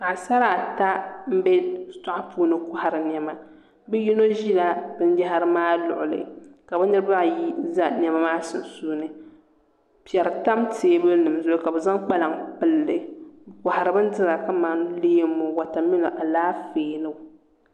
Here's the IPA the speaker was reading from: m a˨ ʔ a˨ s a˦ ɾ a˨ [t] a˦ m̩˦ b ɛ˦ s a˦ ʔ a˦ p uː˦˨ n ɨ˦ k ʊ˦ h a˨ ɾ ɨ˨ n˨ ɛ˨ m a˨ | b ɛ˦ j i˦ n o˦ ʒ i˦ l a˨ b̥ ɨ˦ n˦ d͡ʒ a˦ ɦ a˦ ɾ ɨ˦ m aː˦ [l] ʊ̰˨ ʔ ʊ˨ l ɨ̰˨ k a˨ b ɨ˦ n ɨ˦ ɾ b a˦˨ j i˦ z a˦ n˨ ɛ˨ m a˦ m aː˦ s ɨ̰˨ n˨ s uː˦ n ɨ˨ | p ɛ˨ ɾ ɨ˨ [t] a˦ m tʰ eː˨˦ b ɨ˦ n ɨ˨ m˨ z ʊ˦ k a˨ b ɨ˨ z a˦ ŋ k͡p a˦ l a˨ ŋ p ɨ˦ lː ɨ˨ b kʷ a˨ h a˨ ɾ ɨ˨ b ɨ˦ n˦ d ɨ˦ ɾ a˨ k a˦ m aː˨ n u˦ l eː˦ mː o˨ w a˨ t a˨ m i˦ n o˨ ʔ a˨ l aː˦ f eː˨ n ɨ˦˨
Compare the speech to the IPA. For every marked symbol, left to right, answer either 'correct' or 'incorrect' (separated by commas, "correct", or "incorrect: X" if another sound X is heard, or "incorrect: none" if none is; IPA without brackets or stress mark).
correct, correct, correct